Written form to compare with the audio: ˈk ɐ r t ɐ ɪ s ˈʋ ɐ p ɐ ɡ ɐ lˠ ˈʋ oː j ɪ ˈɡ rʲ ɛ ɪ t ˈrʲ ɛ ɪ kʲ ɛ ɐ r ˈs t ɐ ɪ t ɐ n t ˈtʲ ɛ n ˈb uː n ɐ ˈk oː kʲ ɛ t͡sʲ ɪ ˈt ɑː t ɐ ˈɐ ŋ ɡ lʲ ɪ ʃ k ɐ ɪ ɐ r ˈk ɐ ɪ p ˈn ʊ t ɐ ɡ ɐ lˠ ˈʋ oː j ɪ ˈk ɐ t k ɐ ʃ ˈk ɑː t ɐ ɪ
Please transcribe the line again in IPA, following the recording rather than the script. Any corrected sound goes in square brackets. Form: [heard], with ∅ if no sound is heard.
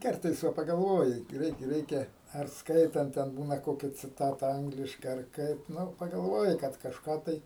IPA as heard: ˈk ɐ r t ɐ ɪ s ˈʋ ɐ p ɐ ɡ ɐ lˠ ˈʋ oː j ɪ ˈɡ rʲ ɛ ɪ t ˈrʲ ɛ ɪ kʲ ɛ ɐ r ˈs [k] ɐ ɪ t ɐ n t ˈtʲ ɛ n ˈb uː n ɐ ˈk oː kʲ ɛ t͡sʲ ɪ ˈt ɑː t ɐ ˈɐ ŋ ɡ lʲ ɪ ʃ k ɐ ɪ ɐ r ˈk ɐ ɪ p ˈn ʊ [p] ɐ ɡ ɐ lˠ ˈʋ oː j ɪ ˈk ɐ t k ɐ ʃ ˈk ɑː t ɐ ɪ